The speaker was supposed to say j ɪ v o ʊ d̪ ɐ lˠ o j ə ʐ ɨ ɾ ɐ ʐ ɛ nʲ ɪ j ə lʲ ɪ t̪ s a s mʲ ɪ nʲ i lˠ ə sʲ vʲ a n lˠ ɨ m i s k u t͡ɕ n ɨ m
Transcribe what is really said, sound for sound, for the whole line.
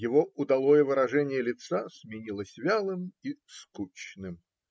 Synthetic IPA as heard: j ɪ v o ʊ d̪ ɐ lˠ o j ə v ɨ ɾ ɐ ʐ ɛ nʲ ɪ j ə lʲ ɪ t̪ s a s mʲ ɪ nʲ i lˠ ə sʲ vʲ a lˠ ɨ m i s k u t͡ɕ n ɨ m